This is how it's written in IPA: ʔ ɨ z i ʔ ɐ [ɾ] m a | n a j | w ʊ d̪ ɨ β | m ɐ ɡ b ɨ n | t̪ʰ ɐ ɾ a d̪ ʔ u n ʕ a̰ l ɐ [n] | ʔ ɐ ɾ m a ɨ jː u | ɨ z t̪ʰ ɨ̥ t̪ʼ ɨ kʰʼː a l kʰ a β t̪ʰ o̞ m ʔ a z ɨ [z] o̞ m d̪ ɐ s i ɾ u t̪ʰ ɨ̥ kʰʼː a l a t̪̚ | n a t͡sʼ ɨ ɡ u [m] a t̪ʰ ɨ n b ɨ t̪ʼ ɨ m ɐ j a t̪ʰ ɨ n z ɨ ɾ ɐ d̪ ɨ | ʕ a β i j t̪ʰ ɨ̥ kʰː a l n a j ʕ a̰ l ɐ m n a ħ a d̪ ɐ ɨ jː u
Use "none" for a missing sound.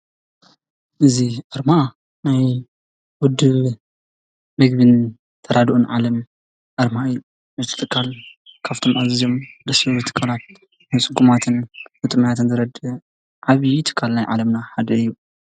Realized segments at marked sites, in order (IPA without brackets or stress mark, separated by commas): ɾ, m, z, m